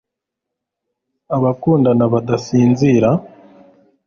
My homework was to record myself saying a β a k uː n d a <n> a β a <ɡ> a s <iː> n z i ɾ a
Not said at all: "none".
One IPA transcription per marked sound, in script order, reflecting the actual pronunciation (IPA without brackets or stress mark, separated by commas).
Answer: n, d, iː